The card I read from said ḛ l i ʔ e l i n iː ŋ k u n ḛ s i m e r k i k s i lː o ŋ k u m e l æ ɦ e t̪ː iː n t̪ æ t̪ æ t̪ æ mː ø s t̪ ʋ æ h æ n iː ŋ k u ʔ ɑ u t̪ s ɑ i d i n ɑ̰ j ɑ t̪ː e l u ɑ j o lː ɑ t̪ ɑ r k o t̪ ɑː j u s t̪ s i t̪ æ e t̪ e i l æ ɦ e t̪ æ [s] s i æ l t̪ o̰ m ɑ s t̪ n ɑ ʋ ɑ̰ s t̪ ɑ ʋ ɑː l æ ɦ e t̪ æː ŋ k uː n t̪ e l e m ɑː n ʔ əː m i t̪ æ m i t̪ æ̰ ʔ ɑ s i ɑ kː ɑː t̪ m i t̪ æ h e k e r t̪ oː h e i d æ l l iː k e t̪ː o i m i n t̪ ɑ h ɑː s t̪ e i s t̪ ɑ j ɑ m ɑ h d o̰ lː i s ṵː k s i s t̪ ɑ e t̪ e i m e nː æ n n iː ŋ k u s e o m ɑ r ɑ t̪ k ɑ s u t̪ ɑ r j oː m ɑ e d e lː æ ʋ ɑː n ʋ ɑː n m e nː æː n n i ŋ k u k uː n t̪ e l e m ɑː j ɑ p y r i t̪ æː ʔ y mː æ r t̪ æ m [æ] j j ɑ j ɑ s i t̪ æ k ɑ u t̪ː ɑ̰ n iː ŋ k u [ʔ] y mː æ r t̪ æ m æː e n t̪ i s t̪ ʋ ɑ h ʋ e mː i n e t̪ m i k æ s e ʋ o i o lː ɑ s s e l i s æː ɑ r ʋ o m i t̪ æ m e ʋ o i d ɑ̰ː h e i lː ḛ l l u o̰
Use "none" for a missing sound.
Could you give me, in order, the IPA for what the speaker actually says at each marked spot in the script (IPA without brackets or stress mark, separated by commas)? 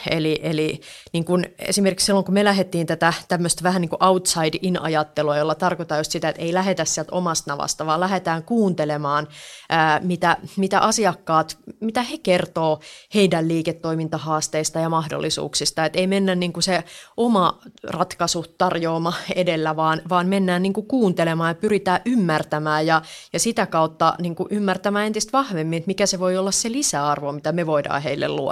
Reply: s, æː, ʔ